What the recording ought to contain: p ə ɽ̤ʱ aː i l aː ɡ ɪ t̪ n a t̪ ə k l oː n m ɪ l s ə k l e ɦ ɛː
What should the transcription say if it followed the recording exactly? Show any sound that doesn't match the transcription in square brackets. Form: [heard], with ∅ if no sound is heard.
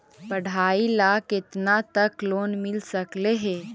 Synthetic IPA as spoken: p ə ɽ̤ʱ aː i l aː [k] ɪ t̪ n a t̪ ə k l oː n m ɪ l s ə k l e ɦ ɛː